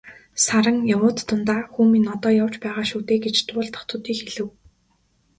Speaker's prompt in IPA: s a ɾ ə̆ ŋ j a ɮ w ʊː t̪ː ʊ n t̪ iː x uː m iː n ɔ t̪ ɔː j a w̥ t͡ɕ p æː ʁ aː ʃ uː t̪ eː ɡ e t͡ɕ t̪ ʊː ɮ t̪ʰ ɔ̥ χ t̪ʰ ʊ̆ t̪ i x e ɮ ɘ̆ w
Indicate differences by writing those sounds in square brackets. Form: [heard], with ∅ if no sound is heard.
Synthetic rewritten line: s a ɾ ə̆ ŋ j a [∅] w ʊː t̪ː ʊ n t̪ [aː] x uː m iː n ɔ t̪ ɔː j a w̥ t͡ɕ p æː ʁ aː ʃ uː t̪ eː ɡ e t͡ɕ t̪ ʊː ɮ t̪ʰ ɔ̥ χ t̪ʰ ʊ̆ t̪ [iː] x e ɮ ɘ̆ w